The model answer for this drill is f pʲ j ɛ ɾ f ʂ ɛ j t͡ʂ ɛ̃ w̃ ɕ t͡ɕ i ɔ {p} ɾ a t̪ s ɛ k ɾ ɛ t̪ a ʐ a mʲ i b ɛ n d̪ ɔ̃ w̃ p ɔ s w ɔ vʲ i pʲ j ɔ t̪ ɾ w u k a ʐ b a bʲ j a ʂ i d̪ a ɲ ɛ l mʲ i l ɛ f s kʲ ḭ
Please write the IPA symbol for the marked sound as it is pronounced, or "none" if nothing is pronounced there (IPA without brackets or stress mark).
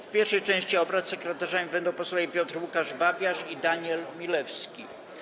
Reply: b